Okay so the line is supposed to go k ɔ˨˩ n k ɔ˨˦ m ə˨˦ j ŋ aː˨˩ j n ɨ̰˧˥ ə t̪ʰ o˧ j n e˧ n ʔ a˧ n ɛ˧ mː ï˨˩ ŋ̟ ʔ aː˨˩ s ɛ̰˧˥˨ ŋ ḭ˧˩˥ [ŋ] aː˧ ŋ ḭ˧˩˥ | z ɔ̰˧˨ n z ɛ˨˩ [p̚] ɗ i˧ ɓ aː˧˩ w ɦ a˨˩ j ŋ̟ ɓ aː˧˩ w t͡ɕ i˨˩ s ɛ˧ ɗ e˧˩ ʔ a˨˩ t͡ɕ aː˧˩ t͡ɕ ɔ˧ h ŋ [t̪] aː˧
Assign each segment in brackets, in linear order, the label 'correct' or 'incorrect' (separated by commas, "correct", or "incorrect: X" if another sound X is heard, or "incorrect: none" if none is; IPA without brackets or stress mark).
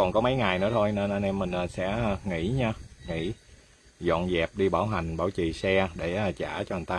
incorrect: ɲ, correct, correct